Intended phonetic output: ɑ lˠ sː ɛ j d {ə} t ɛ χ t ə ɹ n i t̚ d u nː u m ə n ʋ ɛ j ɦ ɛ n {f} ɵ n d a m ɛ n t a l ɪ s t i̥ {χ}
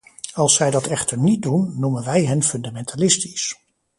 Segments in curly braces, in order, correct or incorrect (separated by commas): incorrect, correct, incorrect